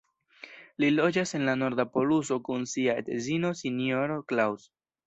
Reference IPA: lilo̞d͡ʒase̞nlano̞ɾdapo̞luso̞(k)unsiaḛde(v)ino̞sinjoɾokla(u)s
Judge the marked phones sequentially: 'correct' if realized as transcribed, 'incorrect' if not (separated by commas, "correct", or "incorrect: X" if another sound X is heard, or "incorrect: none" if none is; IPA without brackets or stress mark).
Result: correct, incorrect: z, incorrect: w